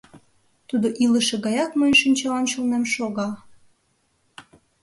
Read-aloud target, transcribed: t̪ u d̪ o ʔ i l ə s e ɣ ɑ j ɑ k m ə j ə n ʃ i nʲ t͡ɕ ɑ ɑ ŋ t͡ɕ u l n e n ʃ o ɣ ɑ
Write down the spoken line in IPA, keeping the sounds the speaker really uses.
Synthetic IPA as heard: t̪ u d̪ o ʔ i l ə ʃ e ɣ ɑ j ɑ k m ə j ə n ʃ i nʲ t͡ɕ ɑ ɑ n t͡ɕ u l n e m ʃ o ɣ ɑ